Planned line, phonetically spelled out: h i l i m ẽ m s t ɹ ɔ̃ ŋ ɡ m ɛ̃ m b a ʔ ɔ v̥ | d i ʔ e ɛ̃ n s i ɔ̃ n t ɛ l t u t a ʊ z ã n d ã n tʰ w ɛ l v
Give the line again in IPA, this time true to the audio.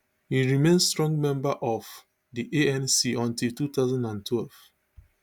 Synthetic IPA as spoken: h i ɹ i m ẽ n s t ɹ ɔ̃ ŋ ɡ m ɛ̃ m b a ʔ ɔ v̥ | d i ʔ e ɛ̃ n s i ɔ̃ n t i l t u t a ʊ z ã n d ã n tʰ w ɛ l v